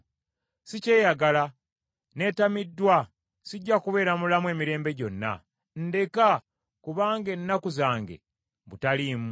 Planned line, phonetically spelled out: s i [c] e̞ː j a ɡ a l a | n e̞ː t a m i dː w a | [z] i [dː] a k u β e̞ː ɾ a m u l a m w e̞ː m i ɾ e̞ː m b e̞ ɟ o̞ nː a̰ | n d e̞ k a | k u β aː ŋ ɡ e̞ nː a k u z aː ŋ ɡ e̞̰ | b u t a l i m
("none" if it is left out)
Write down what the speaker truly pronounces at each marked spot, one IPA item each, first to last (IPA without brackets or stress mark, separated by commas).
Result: c, s, ɟː